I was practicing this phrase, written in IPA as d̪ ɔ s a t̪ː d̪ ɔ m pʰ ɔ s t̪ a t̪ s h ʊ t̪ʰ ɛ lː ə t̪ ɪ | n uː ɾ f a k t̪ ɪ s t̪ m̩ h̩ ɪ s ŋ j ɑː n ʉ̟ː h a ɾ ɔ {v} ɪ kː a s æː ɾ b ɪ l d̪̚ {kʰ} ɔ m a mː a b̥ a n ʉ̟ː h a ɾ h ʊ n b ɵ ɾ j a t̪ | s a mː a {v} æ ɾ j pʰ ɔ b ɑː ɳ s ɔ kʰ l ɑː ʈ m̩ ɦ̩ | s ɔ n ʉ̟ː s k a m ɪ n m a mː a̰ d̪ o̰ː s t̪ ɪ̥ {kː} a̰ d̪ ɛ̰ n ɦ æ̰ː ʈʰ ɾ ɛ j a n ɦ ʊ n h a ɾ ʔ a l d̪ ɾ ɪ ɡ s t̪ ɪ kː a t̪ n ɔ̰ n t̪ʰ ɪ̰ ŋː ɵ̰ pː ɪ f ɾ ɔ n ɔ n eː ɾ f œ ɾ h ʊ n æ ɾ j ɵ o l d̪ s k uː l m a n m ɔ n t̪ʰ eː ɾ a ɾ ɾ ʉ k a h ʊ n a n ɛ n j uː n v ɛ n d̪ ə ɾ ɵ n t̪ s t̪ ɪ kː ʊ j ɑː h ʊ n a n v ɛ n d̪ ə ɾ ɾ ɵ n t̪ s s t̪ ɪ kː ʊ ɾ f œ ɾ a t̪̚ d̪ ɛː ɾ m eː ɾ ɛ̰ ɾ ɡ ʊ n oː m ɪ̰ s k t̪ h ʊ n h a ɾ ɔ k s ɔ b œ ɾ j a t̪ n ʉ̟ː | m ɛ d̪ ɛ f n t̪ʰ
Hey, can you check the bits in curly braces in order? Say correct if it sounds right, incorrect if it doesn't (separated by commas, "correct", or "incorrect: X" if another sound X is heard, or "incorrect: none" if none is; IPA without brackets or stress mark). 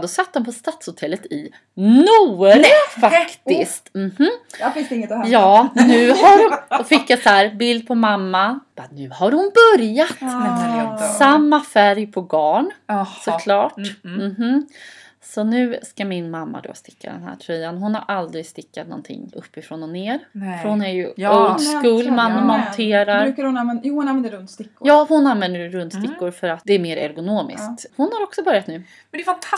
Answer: incorrect: f, incorrect: pʰ, incorrect: f, correct